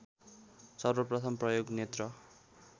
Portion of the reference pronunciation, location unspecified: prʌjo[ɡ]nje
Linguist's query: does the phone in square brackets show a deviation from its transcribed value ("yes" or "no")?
no